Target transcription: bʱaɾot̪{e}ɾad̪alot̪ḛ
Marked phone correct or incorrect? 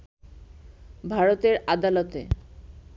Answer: correct